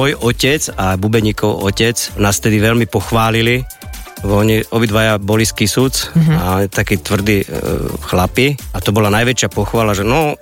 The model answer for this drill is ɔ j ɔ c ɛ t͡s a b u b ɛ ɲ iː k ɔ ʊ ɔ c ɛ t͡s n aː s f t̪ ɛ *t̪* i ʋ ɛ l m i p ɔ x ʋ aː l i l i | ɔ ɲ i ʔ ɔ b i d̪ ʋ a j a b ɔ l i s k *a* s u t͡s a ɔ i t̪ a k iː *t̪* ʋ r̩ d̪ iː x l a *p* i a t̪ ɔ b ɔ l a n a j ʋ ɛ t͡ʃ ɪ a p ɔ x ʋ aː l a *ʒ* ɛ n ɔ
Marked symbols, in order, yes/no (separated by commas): no, no, yes, yes, yes